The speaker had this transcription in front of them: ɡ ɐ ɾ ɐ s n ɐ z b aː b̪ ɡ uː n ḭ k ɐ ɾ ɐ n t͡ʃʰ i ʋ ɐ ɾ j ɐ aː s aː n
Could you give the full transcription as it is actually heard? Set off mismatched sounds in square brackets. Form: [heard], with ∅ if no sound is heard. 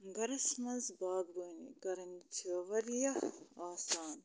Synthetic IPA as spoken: ɡ ɐ ɾ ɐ s [m] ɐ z b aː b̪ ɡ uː n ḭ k ɐ ɾ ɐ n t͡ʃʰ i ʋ ɐ ɾ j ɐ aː s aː n